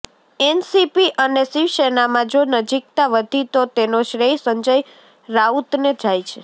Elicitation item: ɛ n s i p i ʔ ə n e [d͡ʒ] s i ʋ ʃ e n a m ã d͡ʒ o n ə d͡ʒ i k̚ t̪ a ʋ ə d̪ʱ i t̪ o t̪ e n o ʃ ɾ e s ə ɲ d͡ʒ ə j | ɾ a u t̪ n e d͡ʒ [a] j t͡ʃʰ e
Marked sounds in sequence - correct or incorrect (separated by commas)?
incorrect, correct